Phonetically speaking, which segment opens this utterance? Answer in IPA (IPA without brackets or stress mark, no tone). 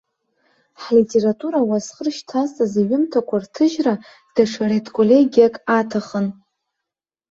ħ